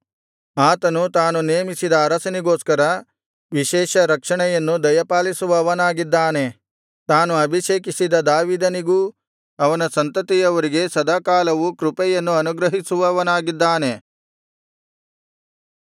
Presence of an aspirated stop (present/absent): absent